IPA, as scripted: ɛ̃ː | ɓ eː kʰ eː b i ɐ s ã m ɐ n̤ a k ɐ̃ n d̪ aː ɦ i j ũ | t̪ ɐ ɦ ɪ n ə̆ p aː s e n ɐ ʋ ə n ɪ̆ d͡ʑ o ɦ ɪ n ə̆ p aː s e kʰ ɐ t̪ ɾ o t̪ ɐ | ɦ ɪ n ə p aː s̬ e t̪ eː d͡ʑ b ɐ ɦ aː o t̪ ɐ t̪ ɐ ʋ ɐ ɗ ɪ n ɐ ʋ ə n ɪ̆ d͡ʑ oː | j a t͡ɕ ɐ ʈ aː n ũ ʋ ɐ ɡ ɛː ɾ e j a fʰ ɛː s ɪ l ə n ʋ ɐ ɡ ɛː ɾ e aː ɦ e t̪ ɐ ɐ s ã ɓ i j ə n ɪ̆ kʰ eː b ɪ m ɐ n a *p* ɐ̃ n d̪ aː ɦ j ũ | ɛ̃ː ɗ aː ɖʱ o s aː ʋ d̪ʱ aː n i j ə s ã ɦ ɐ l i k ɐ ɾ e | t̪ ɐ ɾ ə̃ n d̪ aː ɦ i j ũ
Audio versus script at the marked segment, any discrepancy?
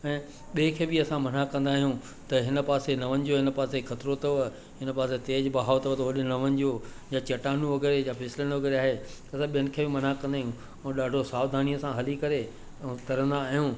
yes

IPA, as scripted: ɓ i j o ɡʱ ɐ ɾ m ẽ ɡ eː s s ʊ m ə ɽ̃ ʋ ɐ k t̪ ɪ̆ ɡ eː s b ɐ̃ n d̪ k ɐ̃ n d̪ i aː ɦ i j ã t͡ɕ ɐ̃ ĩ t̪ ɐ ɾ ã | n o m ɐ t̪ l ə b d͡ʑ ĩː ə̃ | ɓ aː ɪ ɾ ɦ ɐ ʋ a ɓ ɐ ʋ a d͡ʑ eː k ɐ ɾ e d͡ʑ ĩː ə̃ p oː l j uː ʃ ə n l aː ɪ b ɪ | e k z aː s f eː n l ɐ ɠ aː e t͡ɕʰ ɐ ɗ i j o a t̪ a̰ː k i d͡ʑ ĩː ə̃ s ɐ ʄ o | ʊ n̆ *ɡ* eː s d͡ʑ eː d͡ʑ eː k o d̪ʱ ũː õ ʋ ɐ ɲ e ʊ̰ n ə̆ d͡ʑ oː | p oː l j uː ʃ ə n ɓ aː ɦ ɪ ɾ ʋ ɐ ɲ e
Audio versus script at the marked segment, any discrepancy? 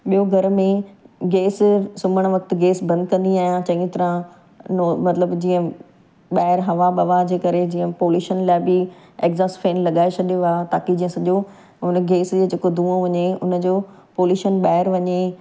no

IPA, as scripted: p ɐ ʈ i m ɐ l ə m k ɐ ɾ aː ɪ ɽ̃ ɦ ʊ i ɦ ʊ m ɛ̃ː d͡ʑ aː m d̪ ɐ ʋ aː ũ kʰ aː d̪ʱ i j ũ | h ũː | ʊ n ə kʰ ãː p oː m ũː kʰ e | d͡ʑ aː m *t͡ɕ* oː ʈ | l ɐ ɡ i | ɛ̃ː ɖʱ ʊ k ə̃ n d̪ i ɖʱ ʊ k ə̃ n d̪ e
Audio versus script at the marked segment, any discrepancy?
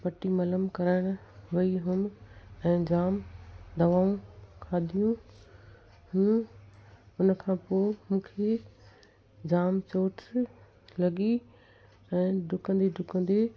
no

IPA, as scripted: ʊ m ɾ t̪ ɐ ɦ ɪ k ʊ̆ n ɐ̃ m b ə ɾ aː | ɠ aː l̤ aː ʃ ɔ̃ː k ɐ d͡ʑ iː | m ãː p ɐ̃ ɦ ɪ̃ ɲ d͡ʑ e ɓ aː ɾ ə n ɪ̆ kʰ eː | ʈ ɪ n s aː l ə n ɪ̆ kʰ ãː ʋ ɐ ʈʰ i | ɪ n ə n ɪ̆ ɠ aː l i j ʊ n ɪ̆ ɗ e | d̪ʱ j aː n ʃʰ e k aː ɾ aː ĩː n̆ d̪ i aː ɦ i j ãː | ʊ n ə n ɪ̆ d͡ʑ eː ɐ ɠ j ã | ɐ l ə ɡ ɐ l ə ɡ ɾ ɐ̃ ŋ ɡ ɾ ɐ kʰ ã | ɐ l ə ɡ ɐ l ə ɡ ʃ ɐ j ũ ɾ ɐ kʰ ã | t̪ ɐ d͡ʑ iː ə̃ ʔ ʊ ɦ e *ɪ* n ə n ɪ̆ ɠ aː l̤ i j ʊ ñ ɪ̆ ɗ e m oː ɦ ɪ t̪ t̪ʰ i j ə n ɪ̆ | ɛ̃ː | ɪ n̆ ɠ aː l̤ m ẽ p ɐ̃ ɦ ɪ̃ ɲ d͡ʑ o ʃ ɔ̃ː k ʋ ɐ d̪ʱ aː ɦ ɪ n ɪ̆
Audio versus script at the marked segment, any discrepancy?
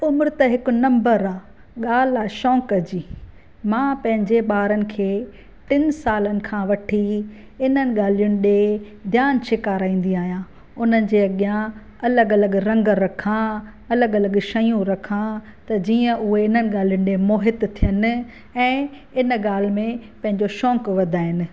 no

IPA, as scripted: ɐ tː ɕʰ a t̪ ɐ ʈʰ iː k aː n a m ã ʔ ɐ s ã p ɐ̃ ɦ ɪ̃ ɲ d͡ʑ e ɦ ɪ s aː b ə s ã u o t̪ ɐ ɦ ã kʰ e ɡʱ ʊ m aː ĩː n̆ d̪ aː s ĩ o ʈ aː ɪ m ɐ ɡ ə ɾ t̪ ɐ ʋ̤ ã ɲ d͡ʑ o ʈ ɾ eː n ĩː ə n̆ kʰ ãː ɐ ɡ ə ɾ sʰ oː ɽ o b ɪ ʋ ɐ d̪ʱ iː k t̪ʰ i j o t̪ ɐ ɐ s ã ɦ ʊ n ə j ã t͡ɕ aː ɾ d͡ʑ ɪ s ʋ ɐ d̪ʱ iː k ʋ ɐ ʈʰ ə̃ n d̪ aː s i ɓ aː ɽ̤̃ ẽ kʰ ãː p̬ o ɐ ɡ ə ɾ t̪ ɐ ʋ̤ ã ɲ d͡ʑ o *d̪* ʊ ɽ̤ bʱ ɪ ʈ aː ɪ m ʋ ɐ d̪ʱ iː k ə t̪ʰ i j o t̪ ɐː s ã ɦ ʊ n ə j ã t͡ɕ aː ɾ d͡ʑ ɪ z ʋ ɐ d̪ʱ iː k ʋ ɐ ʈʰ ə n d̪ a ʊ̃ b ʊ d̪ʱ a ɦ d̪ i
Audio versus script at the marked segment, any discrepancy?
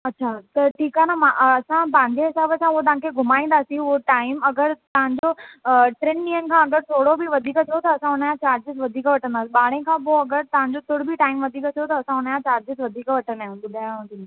yes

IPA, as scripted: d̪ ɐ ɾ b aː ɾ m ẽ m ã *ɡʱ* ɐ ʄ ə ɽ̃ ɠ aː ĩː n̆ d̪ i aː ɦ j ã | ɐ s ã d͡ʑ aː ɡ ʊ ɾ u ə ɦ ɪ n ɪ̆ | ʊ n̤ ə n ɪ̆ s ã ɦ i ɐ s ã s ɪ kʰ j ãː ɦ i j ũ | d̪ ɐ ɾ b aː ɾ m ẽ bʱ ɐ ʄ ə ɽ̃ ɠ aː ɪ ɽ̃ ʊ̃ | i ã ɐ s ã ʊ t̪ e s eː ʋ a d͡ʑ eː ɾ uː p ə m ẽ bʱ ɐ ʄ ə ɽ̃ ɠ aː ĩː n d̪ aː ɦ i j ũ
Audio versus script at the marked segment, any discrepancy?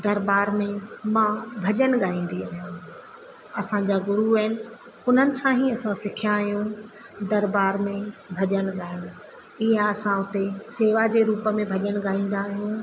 yes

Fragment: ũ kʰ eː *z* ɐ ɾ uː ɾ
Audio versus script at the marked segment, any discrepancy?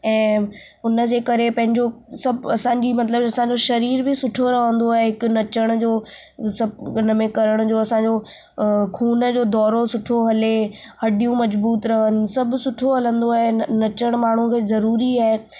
no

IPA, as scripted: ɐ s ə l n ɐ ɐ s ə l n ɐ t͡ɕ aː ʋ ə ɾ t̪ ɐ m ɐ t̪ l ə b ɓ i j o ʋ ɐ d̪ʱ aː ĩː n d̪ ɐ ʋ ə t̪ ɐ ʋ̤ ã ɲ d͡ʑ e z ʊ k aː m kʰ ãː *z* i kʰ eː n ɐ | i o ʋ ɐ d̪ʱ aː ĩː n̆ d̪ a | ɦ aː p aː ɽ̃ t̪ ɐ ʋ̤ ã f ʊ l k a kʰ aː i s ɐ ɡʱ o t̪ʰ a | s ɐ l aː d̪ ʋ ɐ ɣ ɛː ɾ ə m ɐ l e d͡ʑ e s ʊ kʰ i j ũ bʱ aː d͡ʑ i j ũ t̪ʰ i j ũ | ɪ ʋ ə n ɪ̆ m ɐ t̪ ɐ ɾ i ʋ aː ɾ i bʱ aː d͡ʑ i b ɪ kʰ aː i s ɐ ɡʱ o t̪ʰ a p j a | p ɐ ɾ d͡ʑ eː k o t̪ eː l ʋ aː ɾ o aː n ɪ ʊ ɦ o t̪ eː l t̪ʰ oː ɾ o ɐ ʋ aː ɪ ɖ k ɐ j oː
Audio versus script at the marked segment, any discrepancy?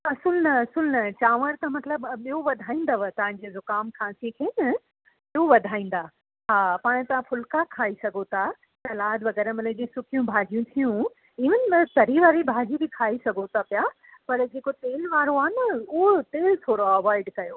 yes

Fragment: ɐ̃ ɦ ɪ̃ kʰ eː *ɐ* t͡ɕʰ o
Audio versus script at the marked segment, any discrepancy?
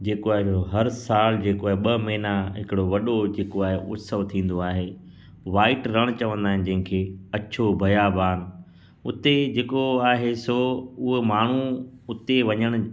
no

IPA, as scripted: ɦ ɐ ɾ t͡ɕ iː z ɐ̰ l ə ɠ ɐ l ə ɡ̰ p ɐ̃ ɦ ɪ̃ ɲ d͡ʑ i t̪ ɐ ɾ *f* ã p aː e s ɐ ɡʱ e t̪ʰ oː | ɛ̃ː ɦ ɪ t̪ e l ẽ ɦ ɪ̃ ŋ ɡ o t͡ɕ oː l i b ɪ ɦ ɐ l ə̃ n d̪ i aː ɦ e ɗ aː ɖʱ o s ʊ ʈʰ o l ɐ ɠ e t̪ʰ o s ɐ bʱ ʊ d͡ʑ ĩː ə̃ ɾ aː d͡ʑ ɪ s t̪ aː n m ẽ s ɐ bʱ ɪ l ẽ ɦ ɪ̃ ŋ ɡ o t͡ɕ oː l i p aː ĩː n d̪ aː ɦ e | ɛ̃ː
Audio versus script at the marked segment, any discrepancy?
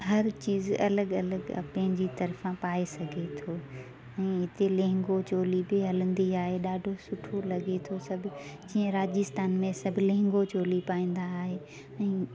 no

